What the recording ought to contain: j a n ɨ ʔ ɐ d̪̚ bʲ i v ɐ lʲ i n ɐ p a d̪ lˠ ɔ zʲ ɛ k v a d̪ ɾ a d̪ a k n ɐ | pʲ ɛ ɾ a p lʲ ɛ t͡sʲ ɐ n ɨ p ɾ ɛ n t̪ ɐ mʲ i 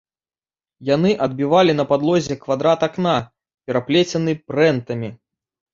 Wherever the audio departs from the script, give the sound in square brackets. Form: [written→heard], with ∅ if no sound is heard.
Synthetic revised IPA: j a n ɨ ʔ ɐ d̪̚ bʲ i v [ɐ→a] lʲ i n ɐ p a d̪ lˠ ɔ zʲ ɛ k v a d̪ ɾ a [d̪→t̪] a k n [ɐ→a] | pʲ ɛ ɾ a p lʲ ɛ t͡sʲ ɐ n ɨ p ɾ ɛ n t̪ ɐ mʲ i